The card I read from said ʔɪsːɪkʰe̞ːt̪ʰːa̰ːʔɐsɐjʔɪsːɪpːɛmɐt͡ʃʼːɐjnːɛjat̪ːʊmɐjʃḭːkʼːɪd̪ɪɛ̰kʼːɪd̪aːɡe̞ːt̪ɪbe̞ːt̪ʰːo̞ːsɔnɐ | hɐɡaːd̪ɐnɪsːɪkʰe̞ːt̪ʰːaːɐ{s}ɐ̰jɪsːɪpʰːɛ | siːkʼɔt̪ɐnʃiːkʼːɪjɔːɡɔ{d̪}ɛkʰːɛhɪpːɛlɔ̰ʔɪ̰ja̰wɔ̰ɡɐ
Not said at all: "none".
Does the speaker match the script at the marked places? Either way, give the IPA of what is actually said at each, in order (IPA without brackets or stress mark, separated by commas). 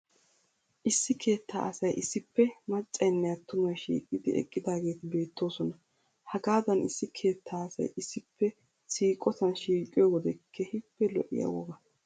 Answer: s, d̪